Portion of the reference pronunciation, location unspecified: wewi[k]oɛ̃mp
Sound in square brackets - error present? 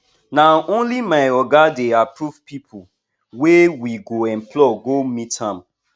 yes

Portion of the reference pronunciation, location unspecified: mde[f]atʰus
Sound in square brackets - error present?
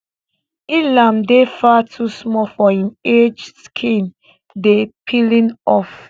no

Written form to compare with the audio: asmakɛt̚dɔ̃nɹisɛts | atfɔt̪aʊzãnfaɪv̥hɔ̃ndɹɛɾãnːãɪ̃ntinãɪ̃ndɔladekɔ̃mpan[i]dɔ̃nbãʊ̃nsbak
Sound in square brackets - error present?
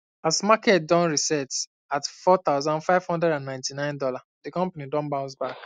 no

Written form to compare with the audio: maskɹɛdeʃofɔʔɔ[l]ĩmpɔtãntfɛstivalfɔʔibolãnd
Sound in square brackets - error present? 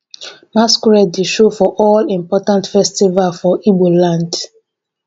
no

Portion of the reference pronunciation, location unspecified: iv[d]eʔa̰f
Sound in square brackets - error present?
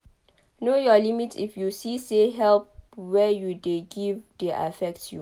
no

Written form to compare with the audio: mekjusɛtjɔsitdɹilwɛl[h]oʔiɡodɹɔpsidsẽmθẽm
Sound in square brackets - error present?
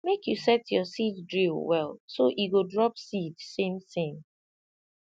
yes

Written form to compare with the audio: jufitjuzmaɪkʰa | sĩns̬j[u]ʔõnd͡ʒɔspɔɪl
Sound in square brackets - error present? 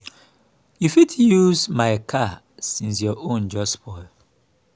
yes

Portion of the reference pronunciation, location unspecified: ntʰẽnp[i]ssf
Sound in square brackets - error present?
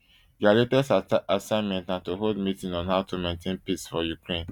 no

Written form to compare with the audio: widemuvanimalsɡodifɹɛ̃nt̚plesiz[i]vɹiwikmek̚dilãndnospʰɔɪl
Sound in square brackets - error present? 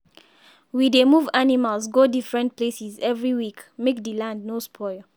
yes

